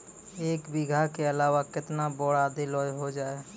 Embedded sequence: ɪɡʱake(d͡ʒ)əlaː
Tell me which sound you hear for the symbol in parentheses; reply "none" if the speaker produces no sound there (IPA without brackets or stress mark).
none